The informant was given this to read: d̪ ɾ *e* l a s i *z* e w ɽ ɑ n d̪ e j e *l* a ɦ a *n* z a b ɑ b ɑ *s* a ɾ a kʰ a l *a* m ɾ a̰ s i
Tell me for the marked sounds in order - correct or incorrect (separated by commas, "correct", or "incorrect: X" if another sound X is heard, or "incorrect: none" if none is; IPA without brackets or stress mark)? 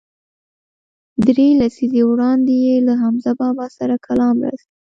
correct, correct, correct, incorrect: m, correct, incorrect: ɑ